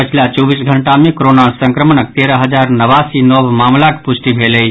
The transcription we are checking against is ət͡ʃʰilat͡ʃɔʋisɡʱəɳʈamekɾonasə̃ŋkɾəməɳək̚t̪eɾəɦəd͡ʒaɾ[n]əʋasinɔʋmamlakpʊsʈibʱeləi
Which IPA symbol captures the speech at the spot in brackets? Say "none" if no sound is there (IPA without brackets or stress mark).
n